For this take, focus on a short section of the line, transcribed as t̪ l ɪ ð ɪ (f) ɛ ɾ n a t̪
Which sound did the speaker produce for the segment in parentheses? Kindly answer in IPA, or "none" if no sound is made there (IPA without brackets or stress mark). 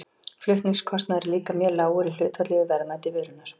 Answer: v